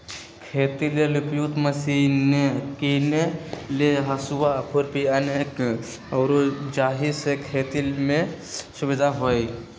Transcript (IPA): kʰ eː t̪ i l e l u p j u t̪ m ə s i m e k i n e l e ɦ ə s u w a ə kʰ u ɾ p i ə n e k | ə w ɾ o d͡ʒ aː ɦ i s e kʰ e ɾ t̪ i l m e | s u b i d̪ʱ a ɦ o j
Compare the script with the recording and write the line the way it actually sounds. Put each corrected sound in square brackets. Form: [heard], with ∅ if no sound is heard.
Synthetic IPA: kʰ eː t̪ i l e l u p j u t̪ m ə s i [n] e k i n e l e ɦ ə s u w a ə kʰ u ɾ p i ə n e k | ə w ɾ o d͡ʒ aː ɦ i s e kʰ e [∅] t̪ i l m e | s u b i d̪ʱ a ɦ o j

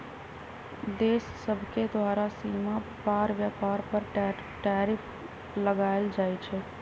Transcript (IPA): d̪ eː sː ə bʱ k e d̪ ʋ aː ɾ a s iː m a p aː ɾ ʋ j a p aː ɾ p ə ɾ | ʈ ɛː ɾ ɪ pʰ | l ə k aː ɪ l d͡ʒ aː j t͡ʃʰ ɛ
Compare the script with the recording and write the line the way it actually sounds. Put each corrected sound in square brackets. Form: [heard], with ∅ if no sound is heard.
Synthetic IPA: d̪ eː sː ə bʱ k e d̪ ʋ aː ɾ a s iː m a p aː ɾ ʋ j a p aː ɾ p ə ɾ | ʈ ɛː ɾ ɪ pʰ | l ə [ɡ] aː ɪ l d͡ʒ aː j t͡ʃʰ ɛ

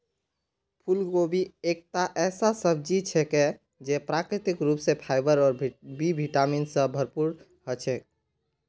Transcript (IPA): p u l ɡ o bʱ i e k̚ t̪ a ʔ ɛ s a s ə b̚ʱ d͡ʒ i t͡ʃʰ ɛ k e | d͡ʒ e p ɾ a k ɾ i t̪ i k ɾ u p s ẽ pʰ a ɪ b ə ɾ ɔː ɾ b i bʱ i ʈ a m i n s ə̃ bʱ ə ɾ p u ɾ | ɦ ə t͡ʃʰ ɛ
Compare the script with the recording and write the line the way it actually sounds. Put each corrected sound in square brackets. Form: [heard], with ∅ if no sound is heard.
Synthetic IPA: [pʰ] u l ɡ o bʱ i e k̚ t̪ a ʔ ɛ s a s ə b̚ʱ d͡ʒ i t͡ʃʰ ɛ k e | d͡ʒ e p ɾ a k ɾ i t̪ i k ɾ u p s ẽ pʰ a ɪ b ə ɾ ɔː ɾ b i bʱ i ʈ a m i n s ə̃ bʱ ə ɾ p u ɾ | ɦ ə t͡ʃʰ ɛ

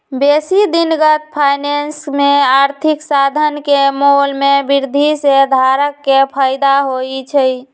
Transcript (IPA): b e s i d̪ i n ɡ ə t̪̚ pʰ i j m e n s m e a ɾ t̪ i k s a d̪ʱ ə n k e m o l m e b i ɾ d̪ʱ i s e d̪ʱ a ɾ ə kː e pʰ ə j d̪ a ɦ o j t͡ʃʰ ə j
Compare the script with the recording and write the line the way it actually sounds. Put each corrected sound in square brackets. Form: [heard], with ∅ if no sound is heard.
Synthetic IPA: b e s i d̪ i n ɡ ə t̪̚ pʰ [a] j [n] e n s m e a ɾ [t̪ʰ] i k s a d̪ʱ ə n k e m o l m e b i ɾ d̪ʱ i s e d̪ʱ a ɾ ə kː e pʰ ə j d̪ a ɦ o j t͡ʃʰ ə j

